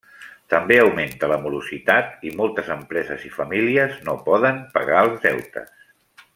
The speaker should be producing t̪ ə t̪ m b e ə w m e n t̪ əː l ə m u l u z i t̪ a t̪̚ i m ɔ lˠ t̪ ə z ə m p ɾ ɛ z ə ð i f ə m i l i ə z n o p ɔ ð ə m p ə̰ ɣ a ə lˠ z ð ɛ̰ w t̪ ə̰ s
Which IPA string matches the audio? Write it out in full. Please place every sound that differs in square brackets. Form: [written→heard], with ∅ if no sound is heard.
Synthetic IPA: t̪ ə [t̪→∅] m b e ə w m e n t̪ [əː→ə] l ə m u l u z i t̪ a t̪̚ i m ɔ lˠ t̪ ə z ə m p ɾ ɛ z ə [ð→z] i f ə m i l i ə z n o p ɔ ð ə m p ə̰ ɣ a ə lˠ z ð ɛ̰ w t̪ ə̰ s